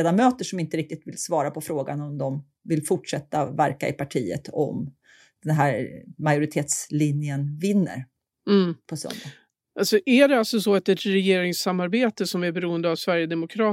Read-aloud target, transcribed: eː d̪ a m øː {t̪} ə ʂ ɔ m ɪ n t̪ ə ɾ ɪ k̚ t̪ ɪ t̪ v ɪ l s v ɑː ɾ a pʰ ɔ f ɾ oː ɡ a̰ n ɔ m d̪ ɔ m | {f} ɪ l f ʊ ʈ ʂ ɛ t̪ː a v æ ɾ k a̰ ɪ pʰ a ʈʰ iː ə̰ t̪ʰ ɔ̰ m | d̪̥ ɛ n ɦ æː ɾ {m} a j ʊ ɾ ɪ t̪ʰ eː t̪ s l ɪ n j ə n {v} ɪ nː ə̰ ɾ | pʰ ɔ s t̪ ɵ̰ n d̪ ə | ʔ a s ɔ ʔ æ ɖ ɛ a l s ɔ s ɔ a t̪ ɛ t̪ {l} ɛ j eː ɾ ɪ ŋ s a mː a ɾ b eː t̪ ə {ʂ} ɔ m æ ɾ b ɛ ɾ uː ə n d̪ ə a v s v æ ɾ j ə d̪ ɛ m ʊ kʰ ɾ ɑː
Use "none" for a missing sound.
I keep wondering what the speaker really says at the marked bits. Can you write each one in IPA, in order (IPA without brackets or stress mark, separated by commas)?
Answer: t̪, v, m, v, ɾ, s